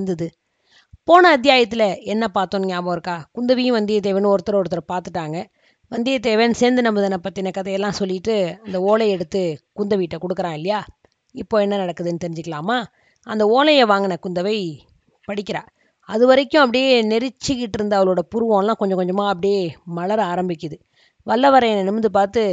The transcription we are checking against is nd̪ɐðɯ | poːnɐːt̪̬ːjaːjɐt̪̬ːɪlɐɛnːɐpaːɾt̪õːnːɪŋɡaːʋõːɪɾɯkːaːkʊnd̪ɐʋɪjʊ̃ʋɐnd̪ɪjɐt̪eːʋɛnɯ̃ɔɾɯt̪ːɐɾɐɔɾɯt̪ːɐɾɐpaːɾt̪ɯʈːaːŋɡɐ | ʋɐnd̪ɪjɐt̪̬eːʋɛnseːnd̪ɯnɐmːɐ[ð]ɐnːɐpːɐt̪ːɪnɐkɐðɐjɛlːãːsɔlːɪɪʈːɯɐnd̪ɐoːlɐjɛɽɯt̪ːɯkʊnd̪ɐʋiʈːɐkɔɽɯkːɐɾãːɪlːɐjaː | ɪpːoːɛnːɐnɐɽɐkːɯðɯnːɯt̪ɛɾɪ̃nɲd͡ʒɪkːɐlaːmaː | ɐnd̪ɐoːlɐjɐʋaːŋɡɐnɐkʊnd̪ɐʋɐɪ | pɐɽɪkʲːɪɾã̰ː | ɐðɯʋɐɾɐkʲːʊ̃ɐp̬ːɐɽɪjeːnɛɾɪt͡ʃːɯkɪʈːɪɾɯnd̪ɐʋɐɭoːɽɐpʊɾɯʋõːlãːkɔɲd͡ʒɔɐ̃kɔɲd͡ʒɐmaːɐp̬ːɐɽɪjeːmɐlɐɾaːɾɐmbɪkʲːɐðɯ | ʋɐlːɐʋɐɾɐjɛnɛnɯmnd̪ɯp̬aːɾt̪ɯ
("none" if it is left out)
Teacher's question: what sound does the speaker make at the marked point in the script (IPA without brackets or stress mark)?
ð